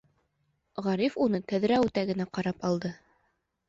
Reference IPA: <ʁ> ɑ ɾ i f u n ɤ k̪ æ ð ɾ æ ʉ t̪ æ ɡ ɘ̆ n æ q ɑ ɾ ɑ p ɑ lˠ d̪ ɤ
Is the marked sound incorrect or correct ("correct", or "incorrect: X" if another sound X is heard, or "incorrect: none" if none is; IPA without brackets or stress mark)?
correct